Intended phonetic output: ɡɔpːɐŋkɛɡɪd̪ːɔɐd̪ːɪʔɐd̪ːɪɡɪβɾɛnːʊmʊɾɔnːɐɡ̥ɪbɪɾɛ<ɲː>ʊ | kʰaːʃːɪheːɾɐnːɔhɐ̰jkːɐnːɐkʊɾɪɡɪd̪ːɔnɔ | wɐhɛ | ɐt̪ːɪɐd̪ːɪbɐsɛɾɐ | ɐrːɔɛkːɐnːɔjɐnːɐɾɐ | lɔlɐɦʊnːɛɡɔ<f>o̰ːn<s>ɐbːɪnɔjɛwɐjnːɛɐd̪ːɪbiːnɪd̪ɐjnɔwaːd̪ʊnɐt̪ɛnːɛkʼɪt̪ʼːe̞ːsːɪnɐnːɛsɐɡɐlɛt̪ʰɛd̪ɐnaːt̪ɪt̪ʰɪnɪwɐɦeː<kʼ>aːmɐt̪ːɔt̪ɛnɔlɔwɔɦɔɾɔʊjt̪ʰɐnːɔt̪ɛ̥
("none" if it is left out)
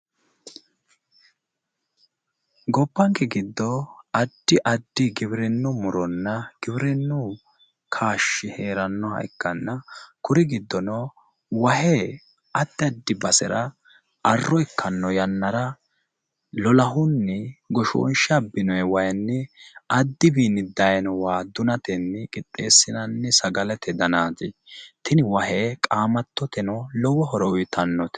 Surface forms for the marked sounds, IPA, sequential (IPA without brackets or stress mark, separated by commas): nː, ʃ, ʃ, kʼ